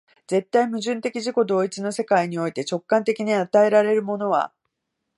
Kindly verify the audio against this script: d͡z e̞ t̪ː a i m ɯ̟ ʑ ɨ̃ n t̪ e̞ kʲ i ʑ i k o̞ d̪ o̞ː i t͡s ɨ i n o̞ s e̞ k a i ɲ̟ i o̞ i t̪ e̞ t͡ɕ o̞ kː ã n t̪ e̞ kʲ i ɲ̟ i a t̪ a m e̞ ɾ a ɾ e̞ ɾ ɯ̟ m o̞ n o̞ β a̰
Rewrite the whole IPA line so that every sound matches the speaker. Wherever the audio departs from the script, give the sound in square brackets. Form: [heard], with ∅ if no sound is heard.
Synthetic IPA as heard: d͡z e̞ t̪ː a i m ɯ̟ ʑ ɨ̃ n t̪ e̞ kʲ i ʑ i k o̞ d̪ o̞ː i t͡s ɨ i n o̞ s e̞ k a i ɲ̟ i o̞ i t̪ e̞ t͡ɕ o̞ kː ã n t̪ e̞ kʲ i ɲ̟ i a t̪ a [∅] e̞ ɾ a ɾ e̞ ɾ ɯ̟ m o̞ n o̞ β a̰